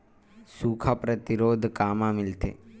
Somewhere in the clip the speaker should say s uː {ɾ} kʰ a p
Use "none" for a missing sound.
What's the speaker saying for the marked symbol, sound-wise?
none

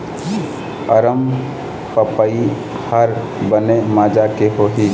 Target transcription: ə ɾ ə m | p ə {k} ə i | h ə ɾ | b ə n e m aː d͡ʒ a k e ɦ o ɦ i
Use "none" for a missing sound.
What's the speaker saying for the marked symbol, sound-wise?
p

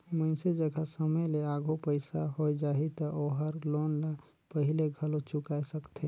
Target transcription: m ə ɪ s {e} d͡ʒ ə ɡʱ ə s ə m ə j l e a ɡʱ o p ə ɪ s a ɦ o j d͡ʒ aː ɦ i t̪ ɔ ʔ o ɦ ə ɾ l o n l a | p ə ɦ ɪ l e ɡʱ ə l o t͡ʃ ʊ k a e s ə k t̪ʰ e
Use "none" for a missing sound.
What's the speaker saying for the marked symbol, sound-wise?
e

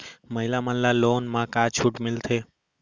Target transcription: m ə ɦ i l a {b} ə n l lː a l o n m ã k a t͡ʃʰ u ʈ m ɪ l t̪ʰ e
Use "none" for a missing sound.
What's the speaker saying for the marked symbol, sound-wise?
m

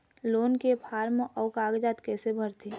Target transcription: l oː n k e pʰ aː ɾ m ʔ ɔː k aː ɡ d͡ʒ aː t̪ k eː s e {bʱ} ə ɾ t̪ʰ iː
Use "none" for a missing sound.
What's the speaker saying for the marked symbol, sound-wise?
bʱ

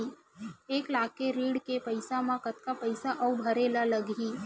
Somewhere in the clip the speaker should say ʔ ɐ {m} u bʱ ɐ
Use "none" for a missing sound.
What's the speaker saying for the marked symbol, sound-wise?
none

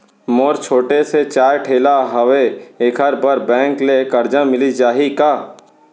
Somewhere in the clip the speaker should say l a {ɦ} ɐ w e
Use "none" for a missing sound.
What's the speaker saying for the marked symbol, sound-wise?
ɦ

